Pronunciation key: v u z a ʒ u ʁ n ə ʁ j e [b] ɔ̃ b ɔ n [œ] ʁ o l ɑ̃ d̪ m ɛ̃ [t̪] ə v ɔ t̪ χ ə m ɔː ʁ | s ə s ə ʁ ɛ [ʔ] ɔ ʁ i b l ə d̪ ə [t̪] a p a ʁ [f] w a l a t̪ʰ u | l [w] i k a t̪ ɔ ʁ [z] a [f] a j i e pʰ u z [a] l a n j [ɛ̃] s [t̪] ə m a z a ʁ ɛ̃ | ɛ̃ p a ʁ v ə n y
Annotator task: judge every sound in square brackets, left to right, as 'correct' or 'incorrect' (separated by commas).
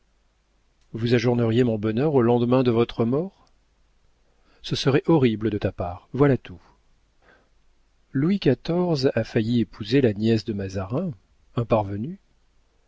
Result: incorrect, correct, incorrect, correct, correct, incorrect, correct, correct, correct, incorrect, incorrect, incorrect